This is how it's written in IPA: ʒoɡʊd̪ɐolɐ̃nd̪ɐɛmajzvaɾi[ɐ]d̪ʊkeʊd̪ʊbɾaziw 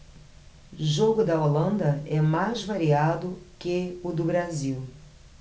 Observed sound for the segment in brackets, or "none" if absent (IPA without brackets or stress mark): a